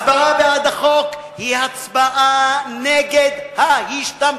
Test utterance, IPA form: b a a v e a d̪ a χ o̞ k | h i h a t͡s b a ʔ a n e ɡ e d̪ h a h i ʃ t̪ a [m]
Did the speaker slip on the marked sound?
no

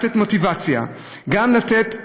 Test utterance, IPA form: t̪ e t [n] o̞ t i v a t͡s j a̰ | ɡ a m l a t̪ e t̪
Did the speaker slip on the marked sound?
yes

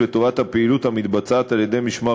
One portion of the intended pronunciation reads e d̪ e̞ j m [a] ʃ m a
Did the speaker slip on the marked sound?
yes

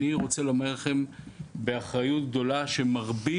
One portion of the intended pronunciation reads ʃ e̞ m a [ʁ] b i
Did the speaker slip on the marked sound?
no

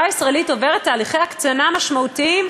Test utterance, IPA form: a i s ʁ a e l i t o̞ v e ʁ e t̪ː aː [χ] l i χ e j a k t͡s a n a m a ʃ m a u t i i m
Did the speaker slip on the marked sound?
yes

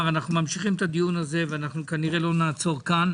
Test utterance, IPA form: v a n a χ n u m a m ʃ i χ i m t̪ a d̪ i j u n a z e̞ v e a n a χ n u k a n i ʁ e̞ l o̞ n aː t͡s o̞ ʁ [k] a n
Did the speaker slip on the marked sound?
no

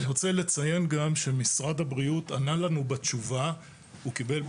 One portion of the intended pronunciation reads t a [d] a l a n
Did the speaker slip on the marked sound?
yes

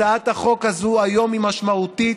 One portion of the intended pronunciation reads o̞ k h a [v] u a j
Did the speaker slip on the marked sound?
yes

